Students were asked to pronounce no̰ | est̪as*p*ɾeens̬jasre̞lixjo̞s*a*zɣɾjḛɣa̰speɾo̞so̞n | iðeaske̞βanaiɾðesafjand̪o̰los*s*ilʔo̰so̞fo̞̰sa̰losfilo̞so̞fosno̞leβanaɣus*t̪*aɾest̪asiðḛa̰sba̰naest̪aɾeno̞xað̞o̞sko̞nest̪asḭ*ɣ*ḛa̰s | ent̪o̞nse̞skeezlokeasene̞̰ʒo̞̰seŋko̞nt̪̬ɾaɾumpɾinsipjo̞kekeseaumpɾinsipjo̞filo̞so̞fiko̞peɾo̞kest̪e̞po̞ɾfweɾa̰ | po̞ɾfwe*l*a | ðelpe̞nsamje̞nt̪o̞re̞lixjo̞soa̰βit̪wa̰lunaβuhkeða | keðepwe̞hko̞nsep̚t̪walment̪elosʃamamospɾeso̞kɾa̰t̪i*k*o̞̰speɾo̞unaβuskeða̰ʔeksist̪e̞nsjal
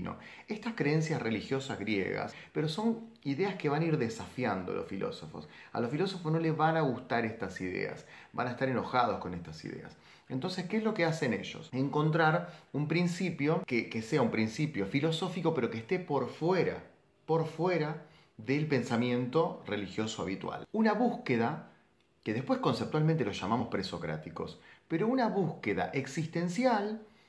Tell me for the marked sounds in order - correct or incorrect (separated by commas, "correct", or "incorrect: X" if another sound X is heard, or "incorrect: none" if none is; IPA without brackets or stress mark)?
incorrect: k, correct, incorrect: f, correct, incorrect: ð, incorrect: ɾ, correct